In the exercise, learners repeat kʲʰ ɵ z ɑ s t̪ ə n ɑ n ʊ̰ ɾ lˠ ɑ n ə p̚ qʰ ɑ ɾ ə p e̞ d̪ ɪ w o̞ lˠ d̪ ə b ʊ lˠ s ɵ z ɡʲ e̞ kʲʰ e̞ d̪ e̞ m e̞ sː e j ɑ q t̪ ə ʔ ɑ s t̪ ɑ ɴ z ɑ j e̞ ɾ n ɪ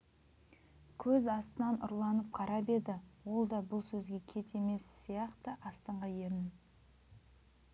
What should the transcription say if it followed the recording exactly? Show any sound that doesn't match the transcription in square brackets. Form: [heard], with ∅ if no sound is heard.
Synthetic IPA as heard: kʲʰ ɵ z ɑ s t̪ ə n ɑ n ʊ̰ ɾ lˠ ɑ n ə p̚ qʰ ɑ ɾ [ɑ] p e̞ d̪ ɪ w o̞ lˠ d̪ [ɑ] b ʊ lˠ s ɵ z ɡʲ e̞ kʲʰ e̞ [t̪] e̞ m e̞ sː [i] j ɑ q t̪ ə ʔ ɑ s t̪ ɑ ɴ [ʁ] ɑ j e̞ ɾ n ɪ